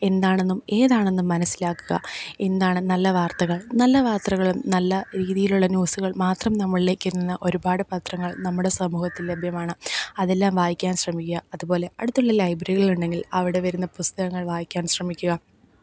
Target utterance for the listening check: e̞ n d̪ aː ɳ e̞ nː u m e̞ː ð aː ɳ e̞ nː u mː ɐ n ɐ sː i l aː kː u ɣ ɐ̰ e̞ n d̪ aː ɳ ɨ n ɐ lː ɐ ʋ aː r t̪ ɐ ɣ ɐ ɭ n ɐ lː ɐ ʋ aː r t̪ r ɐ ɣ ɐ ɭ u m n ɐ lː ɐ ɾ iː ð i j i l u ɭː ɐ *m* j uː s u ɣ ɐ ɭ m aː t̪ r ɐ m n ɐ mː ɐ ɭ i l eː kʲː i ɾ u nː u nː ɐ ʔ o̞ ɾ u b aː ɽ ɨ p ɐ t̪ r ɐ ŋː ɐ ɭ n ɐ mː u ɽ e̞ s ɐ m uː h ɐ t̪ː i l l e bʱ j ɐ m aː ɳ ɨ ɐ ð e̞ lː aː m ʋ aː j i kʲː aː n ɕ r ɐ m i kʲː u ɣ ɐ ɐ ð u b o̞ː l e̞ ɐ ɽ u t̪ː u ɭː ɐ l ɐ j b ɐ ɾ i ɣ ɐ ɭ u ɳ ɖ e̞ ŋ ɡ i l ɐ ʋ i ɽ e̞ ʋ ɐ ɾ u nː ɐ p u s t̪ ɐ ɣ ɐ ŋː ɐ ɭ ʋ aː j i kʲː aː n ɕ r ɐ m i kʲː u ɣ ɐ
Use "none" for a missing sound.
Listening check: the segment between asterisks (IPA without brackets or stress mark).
n